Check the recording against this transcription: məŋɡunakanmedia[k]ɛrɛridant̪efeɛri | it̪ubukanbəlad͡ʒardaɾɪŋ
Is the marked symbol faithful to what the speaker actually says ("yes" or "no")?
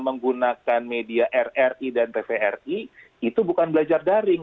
no